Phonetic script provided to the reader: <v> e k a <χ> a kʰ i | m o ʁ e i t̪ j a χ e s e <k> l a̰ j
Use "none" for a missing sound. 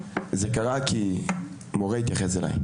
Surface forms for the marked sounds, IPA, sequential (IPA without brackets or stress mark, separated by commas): z, ʁ, none